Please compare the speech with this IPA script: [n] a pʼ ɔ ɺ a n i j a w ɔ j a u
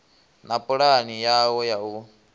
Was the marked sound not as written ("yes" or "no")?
no